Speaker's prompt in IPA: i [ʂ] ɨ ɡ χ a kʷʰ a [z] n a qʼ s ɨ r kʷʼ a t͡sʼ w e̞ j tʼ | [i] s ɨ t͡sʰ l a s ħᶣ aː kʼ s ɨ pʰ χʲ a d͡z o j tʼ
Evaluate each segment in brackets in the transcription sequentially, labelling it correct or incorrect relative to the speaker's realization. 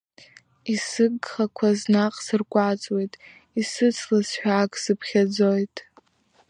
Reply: incorrect: s, correct, correct

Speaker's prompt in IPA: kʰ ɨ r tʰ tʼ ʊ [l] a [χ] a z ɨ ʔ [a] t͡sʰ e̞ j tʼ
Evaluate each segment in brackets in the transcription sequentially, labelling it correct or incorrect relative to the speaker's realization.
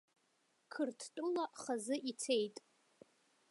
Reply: correct, correct, incorrect: i

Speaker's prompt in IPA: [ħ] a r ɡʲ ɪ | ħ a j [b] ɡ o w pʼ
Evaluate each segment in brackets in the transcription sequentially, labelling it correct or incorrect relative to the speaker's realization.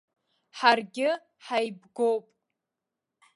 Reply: correct, correct

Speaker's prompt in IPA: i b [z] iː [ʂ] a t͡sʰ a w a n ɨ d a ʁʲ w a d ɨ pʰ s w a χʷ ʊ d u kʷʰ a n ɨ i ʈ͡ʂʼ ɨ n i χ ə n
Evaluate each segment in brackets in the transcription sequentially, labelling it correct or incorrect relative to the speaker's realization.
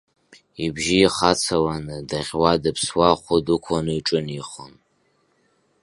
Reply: incorrect: ʒ, incorrect: χ

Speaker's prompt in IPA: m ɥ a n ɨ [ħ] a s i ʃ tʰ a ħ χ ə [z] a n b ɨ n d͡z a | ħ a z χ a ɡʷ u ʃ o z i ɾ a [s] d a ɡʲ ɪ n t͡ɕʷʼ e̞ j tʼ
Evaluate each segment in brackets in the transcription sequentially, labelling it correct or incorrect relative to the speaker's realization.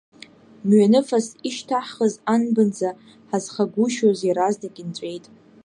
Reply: incorrect: f, correct, incorrect: z

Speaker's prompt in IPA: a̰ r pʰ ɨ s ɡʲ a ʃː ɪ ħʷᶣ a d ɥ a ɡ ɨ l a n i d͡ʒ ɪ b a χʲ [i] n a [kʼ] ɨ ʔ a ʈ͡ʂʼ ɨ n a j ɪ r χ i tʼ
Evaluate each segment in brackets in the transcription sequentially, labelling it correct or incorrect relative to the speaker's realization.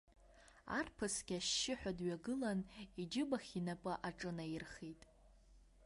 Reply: correct, incorrect: pʼ

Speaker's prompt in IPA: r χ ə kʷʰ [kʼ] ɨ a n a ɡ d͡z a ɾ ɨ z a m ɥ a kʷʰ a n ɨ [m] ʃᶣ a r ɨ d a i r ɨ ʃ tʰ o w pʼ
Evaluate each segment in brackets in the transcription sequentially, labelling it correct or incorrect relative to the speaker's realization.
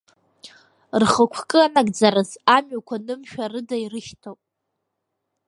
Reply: correct, correct

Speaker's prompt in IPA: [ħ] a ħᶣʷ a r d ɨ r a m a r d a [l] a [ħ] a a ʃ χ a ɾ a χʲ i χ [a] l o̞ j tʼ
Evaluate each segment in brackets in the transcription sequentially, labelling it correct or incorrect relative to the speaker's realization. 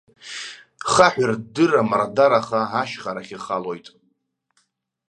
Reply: incorrect: χ, incorrect: ɾ, incorrect: χ, correct

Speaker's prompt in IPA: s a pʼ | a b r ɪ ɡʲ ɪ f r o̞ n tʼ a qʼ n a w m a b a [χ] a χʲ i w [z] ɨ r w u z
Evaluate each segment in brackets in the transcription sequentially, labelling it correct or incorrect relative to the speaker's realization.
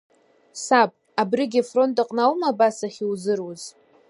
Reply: incorrect: s, correct

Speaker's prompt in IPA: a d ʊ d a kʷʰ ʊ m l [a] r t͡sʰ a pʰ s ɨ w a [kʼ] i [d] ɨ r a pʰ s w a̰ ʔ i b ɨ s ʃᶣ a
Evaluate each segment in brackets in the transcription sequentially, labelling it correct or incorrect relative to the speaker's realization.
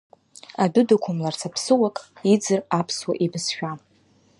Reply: correct, correct, incorrect: d͡z

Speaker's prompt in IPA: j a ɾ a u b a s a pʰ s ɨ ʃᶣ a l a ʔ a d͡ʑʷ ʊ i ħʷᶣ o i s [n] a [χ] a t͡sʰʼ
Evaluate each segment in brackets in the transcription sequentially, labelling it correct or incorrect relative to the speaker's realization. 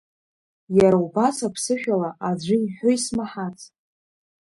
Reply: incorrect: m, incorrect: ħ

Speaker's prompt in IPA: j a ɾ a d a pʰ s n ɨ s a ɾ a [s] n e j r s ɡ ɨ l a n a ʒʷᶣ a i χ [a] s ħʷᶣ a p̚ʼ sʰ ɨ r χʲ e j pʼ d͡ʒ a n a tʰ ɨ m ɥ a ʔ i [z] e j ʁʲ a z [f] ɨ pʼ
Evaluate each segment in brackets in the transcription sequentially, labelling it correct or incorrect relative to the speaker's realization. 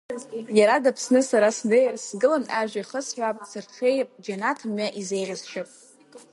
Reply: correct, incorrect: ə, correct, incorrect: ʃ

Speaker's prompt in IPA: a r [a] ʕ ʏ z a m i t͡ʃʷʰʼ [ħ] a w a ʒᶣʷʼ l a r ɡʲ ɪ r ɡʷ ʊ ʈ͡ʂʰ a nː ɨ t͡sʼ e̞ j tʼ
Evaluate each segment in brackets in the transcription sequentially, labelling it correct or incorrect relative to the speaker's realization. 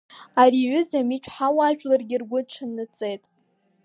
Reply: incorrect: i, correct

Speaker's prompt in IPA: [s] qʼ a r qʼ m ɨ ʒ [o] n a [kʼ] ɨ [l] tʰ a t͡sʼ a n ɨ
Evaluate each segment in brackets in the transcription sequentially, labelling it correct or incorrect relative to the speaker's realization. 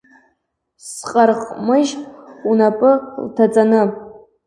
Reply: correct, incorrect: u, incorrect: pʼ, correct

